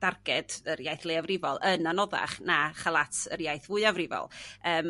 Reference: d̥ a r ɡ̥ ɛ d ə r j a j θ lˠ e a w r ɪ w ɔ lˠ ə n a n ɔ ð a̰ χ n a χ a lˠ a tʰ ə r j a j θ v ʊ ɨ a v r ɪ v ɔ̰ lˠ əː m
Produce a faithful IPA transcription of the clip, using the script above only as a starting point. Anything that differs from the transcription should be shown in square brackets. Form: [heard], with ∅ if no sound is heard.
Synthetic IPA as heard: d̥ a r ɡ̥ ɛ d ə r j a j θ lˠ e a [v] r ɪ [v] ɔ lˠ ə n a n ɔ ð a̰ χ n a χ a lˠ a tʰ ə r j a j θ v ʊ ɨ a v r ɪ v ɔ̰ lˠ əː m